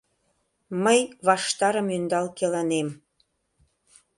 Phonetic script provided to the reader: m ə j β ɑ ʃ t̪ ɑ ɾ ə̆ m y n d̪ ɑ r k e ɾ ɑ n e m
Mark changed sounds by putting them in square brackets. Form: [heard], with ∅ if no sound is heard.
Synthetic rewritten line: m ə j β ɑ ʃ t̪ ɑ ɾ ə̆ m y n d̪ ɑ [l] k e [l] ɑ n e m

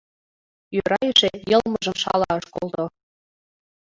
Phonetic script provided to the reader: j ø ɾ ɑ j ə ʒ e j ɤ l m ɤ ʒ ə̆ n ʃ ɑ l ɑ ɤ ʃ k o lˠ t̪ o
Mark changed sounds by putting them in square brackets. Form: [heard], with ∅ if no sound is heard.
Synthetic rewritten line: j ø ɾ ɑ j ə [ʃ] e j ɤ l m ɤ ʒ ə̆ [m] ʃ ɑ l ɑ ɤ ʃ k o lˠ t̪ o

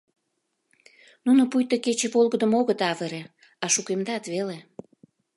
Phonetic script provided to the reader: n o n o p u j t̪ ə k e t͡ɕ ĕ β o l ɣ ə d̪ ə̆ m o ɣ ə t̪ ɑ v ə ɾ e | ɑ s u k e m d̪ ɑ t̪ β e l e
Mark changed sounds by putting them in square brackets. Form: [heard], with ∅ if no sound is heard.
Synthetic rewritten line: n [u] n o p u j t̪ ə k e t͡ɕ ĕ β o l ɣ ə d̪ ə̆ m o ɣ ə t̪ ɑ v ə ɾ e | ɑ [ʃ] u k e m d̪ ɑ t̪ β e l e

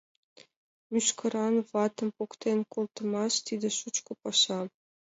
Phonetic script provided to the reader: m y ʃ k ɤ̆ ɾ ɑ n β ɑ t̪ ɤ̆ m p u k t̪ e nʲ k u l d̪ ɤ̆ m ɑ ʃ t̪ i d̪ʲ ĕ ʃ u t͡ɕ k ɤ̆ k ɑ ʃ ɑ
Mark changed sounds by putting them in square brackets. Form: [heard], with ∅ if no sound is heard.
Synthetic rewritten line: m y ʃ k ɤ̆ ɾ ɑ n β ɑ t̪ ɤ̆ m p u k t̪ e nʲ k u l [t̪] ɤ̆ m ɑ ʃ t̪ i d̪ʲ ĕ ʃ u t͡ɕ k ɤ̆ [p] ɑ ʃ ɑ

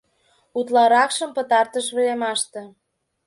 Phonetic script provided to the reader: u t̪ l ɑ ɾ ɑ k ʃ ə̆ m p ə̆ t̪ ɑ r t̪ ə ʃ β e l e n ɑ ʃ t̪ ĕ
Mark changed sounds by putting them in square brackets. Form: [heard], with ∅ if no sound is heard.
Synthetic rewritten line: u t̪ l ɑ ɾ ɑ k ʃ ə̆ m p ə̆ t̪ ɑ r t̪ ə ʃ β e l e [m] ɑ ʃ t̪ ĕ

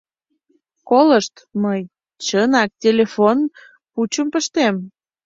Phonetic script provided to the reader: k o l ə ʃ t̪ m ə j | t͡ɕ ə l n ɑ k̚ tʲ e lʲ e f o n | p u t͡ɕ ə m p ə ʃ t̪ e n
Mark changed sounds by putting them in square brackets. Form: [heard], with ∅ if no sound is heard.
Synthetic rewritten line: k o l ə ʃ t̪ m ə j | t͡ɕ ə [∅] n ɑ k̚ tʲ e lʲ e f o n | p u t͡ɕ ə m p ə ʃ t̪ e [m]

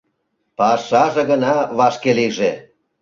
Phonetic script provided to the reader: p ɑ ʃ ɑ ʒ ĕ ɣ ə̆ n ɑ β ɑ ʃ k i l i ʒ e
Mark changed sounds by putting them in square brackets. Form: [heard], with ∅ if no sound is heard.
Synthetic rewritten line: p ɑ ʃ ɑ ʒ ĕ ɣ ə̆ n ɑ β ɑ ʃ k [e] l i ʒ e

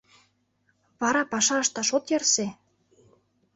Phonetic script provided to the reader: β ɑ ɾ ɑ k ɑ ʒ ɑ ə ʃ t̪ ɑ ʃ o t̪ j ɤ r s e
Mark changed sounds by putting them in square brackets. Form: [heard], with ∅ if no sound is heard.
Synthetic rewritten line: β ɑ ɾ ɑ [p] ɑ [ʃ] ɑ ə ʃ t̪ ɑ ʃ o t̪ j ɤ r s e

